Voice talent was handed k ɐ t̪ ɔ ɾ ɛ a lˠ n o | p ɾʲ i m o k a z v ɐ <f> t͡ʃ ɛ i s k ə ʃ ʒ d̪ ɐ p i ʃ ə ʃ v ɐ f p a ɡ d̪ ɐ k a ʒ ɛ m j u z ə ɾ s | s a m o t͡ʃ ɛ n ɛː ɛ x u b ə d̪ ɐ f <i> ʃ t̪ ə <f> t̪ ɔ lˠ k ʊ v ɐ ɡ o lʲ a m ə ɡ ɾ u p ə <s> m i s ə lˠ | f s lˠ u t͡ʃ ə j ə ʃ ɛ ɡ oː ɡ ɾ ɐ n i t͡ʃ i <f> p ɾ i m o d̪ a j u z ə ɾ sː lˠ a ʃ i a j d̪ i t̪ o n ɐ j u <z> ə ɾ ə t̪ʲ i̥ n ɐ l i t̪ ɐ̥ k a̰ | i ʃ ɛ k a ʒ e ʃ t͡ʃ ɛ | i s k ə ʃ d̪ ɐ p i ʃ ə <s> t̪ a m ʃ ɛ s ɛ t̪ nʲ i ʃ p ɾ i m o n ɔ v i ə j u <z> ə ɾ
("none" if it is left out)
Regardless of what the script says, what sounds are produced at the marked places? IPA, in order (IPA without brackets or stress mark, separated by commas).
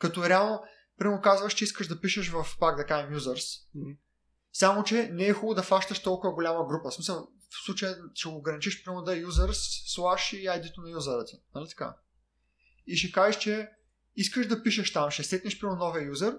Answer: ʃ, a, ʃ, s, ʃ, z, ʃ, z